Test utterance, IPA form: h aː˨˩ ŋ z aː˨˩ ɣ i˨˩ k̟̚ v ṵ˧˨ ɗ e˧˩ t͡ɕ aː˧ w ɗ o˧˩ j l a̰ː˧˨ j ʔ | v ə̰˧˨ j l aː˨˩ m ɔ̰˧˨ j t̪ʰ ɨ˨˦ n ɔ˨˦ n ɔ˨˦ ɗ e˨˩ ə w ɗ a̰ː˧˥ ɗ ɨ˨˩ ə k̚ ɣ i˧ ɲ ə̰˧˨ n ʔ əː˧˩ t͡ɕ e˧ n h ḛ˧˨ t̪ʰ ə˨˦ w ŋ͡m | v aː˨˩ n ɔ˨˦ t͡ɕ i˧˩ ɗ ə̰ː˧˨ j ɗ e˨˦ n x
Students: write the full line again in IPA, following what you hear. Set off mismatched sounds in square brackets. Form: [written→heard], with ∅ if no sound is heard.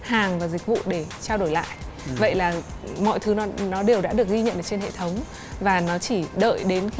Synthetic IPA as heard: h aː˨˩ ŋ [z→v] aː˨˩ [ɣ→z] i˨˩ k̟̚ v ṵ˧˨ ɗ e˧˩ t͡ɕ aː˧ w ɗ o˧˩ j l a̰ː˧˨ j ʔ | v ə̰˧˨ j l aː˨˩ m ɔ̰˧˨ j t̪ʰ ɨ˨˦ n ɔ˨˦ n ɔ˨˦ ɗ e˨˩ ə w ɗ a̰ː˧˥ ɗ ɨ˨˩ ə k̚ ɣ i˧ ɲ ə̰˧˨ n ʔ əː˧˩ t͡ɕ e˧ n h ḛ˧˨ t̪ʰ ə˨˦ w ŋ͡m | v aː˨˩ n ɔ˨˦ t͡ɕ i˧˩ ɗ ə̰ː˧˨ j ɗ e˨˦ n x